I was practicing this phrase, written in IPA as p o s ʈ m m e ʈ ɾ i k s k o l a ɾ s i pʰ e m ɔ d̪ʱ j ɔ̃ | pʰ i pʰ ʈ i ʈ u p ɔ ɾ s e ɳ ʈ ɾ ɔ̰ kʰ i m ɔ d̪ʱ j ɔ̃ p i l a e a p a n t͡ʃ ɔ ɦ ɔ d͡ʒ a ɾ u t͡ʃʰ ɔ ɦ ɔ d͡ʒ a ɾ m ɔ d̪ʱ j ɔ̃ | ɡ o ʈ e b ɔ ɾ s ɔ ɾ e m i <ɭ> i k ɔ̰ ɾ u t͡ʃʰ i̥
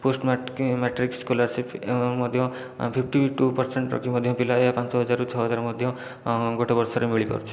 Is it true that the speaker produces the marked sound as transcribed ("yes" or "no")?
yes